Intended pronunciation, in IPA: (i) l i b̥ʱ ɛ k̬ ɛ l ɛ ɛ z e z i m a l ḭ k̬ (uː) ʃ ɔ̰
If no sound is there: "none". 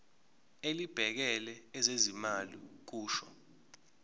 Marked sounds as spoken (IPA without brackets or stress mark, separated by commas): e, uː